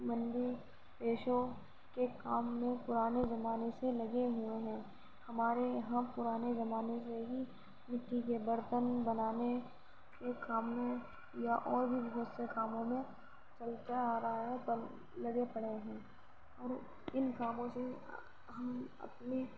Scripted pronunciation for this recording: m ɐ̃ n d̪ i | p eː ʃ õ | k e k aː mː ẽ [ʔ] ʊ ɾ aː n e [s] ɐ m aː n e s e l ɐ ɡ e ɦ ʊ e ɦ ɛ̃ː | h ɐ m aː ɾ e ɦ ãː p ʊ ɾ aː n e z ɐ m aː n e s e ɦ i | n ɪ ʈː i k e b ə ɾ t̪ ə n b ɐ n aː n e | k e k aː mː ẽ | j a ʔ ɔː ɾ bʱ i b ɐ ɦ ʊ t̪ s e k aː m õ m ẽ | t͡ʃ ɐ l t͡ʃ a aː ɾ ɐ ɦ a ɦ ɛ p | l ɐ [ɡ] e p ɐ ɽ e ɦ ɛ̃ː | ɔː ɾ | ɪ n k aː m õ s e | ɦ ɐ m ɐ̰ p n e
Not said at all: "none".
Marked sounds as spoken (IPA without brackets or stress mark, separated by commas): p, z, ɡ